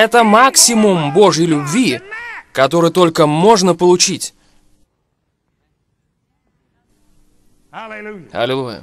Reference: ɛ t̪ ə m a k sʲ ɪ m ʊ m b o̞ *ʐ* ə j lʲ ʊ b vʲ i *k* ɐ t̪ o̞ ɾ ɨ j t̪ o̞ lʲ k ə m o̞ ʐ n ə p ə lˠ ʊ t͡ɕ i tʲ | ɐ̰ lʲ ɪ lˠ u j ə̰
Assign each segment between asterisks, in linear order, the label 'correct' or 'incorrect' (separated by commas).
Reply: correct, correct